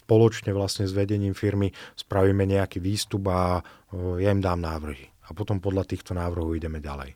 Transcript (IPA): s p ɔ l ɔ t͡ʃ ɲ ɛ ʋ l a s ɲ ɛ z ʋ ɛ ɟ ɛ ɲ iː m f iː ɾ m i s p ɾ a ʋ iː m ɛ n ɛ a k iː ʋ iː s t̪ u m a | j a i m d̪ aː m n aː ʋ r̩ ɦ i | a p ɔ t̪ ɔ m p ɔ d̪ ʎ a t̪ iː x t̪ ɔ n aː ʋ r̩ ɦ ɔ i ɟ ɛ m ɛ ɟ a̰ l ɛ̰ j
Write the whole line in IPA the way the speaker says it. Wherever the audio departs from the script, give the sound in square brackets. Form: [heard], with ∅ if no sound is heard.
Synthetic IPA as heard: s p ɔ l ɔ t͡ʃ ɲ ɛ ʋ l a s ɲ ɛ z ʋ ɛ ɟ ɛ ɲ iː m f [i] ɾ m i s p ɾ a ʋ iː m ɛ [ɲ] ɛ a k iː ʋ iː s t̪ u [b] a | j a i m d̪ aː m n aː ʋ r̩ ɦ i | a p ɔ t̪ ɔ m p ɔ d̪ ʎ a t̪ iː x t̪ ɔ n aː ʋ r̩ ɦ ɔ i ɟ ɛ m ɛ ɟ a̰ l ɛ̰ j